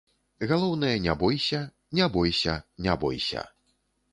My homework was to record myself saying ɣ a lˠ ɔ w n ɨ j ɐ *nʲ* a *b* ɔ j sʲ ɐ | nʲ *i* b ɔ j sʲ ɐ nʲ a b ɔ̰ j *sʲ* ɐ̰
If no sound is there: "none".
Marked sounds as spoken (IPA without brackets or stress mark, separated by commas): nʲ, b, a, sʲ